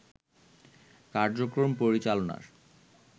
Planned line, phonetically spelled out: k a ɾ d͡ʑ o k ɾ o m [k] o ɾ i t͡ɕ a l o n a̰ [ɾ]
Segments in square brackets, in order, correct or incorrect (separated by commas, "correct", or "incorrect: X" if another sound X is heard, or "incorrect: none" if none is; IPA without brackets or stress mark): incorrect: p, correct